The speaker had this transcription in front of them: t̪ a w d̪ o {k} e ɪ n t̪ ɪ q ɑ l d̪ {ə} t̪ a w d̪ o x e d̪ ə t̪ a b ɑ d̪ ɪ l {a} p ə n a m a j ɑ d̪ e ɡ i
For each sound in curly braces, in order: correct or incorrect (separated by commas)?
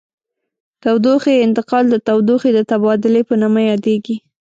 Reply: incorrect, correct, incorrect